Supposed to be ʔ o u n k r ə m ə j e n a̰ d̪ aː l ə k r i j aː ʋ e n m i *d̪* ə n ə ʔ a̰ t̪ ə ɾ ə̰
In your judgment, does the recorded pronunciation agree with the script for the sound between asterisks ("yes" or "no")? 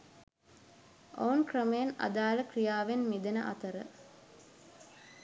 yes